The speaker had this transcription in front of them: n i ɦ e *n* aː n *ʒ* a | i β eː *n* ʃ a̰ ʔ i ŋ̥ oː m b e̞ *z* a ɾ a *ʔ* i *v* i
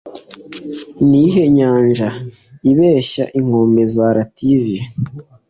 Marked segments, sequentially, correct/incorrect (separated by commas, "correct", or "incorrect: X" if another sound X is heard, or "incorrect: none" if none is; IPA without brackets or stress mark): incorrect: ɲ, correct, incorrect: none, correct, incorrect: t, correct